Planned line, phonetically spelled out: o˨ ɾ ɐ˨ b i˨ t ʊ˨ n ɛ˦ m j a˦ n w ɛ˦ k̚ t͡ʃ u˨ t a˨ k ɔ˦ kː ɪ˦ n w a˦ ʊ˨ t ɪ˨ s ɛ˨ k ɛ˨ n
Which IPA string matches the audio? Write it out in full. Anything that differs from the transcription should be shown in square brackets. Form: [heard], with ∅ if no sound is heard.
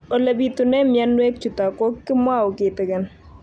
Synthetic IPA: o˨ [l] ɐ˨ b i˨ t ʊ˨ n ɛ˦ m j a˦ n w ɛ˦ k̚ t͡ʃ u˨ t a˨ k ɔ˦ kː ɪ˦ [m] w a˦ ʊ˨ [k] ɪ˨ [t] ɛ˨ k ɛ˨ n